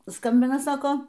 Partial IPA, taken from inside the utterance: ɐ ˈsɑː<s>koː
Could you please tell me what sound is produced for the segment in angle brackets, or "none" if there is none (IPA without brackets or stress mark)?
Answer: none